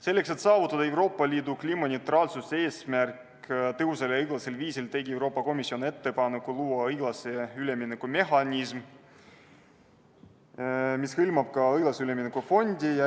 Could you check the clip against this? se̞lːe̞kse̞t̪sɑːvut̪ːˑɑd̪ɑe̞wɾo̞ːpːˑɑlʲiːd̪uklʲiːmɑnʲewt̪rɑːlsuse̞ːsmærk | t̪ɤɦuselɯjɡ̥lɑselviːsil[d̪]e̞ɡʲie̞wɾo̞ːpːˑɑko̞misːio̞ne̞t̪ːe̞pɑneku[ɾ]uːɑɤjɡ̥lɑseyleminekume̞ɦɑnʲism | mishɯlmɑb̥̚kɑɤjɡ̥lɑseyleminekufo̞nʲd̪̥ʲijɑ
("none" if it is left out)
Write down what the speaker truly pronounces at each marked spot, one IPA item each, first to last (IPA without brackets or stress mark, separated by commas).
t̪, l